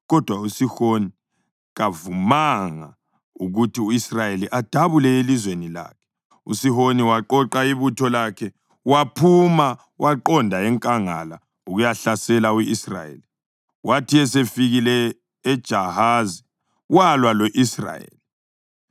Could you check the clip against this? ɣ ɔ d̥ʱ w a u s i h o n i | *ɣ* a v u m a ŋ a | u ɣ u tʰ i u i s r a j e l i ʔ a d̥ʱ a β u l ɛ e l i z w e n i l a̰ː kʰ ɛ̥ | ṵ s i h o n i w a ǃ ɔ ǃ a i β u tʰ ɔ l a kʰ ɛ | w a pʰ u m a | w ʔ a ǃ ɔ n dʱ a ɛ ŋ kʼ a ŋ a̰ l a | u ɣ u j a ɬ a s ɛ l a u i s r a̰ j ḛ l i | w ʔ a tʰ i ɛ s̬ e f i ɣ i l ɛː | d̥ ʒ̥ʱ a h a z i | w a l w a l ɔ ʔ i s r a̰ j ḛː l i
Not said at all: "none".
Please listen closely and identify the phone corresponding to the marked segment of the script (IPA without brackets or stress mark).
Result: ɣ